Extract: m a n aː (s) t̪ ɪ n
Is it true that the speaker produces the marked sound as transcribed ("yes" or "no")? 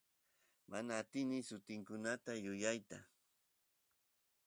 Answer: no